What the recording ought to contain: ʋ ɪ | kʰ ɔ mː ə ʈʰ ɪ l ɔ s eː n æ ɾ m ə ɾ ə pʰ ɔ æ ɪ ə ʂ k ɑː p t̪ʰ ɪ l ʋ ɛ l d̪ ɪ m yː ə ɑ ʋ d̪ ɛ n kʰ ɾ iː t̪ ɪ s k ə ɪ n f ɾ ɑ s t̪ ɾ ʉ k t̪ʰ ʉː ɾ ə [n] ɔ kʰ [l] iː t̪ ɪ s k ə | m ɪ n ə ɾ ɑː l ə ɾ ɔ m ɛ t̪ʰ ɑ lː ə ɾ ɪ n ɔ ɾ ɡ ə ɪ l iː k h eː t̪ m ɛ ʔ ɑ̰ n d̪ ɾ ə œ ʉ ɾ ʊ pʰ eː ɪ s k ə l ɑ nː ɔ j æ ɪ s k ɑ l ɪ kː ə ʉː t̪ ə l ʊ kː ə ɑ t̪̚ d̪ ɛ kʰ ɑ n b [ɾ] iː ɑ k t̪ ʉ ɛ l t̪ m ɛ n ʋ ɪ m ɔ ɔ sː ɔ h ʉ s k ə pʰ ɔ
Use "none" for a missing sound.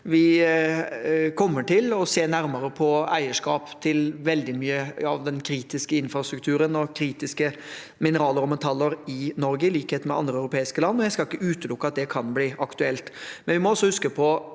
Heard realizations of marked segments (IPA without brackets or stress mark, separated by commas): n, ɾ, l